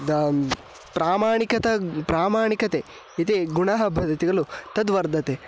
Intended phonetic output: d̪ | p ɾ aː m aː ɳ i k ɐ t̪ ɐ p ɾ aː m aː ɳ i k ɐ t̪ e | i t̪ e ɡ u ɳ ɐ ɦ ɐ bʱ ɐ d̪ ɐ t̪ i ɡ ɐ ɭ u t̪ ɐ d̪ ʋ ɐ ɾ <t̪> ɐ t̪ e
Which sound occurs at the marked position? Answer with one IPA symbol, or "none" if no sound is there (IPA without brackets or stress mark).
d̪